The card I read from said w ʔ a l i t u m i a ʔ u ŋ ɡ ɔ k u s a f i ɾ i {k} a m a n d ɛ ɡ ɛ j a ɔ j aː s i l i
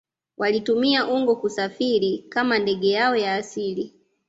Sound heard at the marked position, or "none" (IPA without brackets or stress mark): k